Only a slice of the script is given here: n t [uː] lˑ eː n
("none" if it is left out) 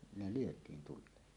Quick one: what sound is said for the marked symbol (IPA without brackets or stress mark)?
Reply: u